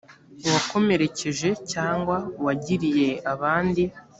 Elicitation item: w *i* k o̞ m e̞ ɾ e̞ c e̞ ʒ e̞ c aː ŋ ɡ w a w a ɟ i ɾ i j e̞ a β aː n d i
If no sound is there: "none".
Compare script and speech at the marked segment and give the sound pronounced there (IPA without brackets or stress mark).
a